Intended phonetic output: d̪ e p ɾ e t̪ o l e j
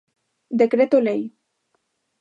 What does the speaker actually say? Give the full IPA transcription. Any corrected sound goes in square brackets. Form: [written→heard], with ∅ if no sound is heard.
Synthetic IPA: d̪ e [p→k] ɾ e t̪ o l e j